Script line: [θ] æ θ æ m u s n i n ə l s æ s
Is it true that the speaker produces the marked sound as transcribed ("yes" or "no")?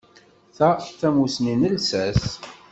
yes